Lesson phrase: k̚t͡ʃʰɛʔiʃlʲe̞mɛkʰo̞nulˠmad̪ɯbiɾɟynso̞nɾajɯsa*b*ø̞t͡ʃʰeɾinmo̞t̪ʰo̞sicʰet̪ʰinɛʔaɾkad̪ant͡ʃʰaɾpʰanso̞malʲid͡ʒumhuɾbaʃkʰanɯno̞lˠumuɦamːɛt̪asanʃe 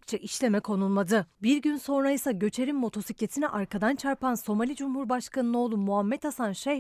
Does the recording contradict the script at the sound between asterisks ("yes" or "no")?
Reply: yes